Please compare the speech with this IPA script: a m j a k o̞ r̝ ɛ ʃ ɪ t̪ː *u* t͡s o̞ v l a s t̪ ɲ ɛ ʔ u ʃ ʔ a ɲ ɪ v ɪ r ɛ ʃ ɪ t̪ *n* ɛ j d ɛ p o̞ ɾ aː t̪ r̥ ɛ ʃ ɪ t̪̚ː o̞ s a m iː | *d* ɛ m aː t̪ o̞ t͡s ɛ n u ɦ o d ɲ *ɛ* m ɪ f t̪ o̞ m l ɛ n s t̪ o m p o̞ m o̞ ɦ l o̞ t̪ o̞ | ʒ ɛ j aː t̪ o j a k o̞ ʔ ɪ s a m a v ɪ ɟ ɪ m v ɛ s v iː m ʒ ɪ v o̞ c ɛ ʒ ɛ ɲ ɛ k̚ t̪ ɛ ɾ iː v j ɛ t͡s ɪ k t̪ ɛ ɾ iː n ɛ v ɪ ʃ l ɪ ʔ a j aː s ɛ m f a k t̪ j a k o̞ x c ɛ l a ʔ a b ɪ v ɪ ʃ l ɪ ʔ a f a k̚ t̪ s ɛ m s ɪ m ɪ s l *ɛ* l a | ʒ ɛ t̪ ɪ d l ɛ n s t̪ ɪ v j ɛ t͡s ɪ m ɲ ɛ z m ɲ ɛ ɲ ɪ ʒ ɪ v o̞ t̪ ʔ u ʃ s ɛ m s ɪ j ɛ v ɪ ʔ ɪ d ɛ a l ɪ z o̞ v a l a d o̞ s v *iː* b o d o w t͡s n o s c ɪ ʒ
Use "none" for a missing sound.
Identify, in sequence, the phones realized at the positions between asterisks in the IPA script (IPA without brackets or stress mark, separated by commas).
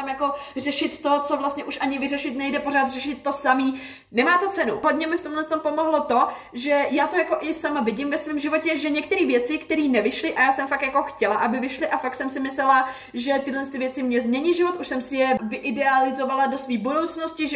o, n, n, ɛ, ɛ, iː